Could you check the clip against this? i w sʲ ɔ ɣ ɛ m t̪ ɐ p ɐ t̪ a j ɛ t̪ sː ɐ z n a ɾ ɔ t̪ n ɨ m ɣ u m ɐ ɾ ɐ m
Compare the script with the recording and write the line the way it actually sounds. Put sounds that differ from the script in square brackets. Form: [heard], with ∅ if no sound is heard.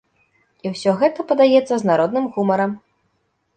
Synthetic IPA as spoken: i w sʲ ɔ ɣ ɛ [∅] t̪ ɐ p ɐ [d̪] a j ɛ t̪ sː ɐ z n a ɾ ɔ [d̪] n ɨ m ɣ u m ɐ ɾ ɐ m